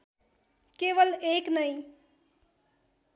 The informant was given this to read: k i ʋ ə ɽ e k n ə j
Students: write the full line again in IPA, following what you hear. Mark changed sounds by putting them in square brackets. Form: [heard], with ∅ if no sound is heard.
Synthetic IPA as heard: k [e] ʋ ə [l] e k n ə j